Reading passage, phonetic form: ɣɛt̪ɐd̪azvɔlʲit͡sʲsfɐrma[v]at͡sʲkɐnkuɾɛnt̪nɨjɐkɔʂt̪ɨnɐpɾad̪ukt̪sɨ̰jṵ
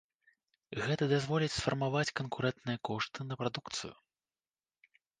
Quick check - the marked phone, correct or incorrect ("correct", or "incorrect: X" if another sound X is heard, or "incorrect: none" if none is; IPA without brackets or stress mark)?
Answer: correct